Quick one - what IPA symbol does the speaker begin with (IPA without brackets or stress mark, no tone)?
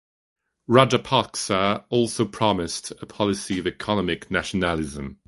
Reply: ɹ